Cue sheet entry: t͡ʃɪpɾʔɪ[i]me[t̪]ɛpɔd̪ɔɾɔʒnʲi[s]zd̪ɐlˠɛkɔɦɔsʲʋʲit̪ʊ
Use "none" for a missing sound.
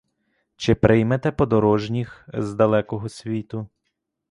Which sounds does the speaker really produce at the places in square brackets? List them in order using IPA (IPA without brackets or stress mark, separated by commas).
j, t̪, x